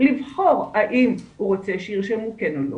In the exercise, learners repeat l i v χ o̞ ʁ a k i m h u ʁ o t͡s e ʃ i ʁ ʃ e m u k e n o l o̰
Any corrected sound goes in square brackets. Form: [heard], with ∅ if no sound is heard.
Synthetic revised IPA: l i v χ o̞ ʁ a [ʔ] i m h u ʁ o t͡s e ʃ i ʁ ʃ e m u k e n o l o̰